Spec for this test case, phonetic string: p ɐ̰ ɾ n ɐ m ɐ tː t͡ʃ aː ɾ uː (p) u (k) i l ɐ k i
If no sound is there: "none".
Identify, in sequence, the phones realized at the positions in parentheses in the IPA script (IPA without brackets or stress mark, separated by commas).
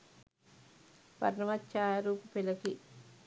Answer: p, p